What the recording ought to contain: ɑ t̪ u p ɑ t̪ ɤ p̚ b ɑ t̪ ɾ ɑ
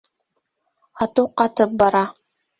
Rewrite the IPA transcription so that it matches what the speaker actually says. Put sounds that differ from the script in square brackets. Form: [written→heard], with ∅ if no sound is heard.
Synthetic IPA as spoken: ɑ t̪ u [p→q] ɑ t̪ ɤ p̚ b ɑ [t̪→∅] ɾ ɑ